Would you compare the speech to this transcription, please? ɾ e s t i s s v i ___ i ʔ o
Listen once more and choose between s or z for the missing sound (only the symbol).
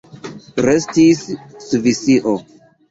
s